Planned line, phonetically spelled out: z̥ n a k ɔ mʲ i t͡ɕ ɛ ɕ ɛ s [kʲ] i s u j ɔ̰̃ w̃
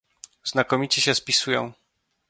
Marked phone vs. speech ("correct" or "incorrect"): incorrect